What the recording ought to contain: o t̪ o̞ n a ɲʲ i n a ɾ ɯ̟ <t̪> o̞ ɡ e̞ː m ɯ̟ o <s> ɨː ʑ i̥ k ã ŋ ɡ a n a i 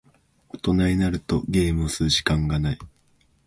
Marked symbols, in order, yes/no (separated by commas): yes, yes